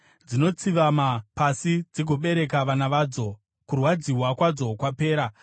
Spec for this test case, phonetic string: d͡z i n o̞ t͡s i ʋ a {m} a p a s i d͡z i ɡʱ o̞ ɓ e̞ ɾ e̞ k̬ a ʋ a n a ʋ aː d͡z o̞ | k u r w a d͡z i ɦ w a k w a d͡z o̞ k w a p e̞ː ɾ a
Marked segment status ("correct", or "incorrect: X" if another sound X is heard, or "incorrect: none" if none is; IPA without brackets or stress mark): correct